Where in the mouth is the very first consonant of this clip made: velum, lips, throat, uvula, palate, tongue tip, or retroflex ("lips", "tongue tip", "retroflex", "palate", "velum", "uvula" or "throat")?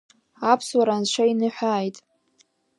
lips